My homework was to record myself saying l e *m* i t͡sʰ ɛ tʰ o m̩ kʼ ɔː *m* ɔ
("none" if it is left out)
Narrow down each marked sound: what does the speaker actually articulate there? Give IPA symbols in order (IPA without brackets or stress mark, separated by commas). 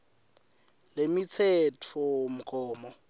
m, m